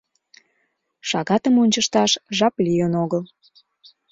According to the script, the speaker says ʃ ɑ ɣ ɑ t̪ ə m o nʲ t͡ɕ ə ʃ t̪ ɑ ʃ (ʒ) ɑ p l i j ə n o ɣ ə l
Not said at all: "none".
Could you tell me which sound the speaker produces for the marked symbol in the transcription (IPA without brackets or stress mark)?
ʒ